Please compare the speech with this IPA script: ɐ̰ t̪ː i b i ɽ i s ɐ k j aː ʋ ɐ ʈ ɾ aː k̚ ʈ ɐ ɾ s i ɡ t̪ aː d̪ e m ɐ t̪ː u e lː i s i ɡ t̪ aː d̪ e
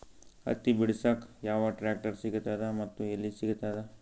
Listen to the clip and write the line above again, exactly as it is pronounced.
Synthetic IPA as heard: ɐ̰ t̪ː i b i ɽ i s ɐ k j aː ʋ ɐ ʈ ɾ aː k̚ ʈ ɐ ɾ s i ɡ t̪ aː d̪ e m ɐ t̪ː u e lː i s i ɡ t̪ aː d̪ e